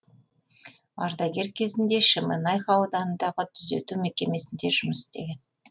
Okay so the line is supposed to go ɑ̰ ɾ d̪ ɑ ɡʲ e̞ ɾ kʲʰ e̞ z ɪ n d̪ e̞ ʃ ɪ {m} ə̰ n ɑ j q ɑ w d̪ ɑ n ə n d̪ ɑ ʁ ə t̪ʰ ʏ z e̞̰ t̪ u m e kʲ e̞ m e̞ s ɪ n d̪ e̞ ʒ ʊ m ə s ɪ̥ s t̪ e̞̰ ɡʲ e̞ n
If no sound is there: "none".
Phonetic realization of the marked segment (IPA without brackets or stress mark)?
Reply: m